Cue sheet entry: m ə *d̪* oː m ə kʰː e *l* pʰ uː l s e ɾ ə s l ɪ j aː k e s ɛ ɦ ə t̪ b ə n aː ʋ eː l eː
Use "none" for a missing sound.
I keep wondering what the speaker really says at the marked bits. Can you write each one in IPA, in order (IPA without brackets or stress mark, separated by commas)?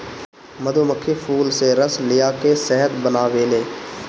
d̪, none